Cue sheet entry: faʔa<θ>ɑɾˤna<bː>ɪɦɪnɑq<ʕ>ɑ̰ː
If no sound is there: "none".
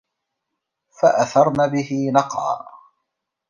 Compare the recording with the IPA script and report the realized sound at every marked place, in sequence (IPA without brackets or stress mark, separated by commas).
θ, b, ʕ